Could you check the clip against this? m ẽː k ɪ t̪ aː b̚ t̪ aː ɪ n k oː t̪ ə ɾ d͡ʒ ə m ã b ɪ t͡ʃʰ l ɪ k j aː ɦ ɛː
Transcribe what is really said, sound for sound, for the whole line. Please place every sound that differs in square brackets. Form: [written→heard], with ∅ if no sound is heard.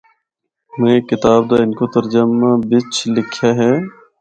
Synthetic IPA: m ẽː k ɪ t̪ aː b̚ [t̪→d̪] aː ɪ n k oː t̪ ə ɾ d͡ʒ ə m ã b ɪ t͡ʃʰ l ɪ [k→kʰ] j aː ɦ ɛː